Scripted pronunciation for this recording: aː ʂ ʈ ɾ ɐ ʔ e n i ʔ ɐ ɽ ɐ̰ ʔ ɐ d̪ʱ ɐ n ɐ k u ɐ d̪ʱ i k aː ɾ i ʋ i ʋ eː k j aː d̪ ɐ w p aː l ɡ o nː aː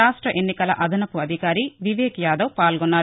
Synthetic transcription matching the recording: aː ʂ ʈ ɾ ɐ ʔ e nː i k ɐ l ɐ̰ ʔ ɐ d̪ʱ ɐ n ɐ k u ɐ d̪ʱ i k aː ɾ i ʋ i ʋ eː k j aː d̪ ɐ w p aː l ɡ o nː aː